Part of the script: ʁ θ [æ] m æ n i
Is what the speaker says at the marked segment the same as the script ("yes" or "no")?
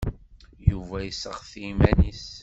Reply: no